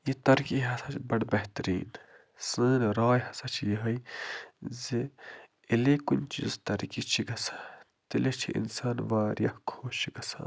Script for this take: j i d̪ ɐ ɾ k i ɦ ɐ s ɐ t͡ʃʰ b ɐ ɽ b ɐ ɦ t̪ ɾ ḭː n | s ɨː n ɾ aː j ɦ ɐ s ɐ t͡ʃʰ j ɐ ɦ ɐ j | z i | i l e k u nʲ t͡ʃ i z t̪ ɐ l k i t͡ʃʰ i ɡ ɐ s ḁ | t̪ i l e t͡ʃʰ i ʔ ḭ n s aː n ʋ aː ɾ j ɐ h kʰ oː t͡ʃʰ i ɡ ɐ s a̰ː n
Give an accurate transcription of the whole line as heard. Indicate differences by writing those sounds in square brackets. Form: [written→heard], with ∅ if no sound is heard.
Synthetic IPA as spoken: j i [d̪→t̪] ɐ ɾ k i ɦ ɐ s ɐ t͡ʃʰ b ɐ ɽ b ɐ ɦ t̪ ɾ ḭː n | s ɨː n ɾ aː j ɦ ɐ s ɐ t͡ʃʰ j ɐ ɦ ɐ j | z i | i l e k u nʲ t͡ʃ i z t̪ ɐ [l→ɾ] k i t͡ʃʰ i ɡ ɐ s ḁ | t̪ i l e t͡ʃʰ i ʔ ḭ n s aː n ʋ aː ɾ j ɐ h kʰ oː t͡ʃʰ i ɡ ɐ s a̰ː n